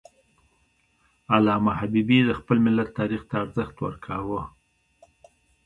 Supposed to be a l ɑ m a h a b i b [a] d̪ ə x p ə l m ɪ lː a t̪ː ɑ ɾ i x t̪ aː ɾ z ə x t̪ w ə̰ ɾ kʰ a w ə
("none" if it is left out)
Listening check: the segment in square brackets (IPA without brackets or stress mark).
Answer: i